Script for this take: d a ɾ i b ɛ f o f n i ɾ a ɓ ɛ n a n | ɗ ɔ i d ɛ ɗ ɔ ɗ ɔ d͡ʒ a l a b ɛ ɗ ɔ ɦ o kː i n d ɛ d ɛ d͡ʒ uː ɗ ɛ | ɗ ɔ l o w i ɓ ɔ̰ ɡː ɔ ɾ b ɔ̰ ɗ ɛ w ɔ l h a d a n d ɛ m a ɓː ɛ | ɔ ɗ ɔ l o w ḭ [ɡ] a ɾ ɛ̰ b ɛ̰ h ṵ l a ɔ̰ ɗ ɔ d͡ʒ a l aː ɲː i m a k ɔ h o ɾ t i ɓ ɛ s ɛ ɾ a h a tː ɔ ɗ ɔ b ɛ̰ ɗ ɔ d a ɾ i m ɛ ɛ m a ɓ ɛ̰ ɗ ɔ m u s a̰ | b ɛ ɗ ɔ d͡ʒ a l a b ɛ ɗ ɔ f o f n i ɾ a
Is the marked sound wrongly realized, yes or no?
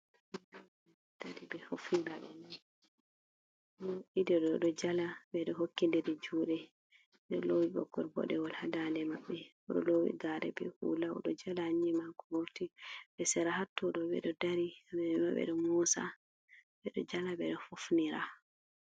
no